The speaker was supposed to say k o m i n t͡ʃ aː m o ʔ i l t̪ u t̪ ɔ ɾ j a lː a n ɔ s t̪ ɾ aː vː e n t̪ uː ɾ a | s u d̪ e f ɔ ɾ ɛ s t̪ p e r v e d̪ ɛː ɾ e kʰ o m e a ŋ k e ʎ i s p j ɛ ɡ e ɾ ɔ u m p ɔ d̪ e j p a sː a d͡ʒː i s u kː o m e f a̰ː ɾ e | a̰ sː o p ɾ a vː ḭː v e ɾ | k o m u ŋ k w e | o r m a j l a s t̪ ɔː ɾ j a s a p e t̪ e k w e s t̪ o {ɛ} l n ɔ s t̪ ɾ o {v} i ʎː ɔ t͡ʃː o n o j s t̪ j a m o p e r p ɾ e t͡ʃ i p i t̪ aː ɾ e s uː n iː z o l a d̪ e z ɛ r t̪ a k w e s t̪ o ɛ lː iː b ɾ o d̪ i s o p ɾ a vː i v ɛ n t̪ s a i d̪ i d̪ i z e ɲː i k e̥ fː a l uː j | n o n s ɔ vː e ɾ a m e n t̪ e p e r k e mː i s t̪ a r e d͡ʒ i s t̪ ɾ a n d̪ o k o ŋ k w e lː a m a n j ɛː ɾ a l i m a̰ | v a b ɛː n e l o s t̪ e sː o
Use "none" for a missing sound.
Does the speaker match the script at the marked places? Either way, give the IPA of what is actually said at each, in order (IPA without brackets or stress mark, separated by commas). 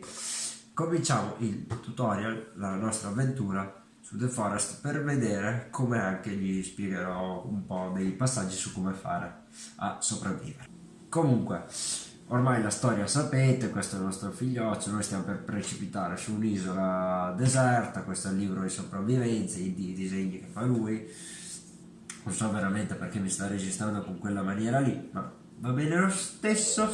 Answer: ɛ, f